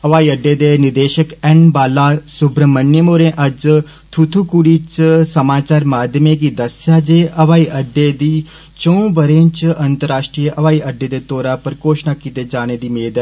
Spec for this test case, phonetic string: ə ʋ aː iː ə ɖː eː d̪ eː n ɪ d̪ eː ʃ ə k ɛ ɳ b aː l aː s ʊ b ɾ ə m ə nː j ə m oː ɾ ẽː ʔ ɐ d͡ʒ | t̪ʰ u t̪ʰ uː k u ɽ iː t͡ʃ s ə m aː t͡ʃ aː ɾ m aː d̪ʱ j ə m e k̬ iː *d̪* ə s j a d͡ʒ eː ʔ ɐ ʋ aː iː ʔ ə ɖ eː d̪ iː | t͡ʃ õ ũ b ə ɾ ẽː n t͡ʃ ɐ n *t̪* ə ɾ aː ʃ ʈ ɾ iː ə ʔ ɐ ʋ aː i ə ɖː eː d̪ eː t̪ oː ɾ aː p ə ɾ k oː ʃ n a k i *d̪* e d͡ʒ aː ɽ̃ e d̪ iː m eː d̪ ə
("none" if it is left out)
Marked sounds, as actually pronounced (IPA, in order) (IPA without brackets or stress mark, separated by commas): d̪, t̪, t̪